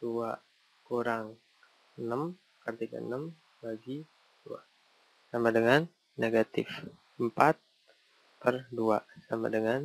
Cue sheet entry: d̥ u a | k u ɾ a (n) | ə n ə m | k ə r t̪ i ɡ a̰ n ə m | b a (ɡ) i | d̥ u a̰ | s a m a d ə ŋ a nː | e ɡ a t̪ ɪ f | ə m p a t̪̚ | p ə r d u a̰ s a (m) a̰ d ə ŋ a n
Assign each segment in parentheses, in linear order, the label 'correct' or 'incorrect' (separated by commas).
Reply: incorrect, correct, correct